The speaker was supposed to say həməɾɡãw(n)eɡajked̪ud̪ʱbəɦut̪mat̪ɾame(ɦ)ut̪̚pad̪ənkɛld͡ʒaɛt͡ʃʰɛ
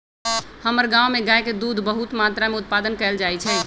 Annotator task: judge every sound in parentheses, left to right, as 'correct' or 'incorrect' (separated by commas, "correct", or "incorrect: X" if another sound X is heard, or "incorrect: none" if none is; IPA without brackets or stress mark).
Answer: incorrect: m, incorrect: none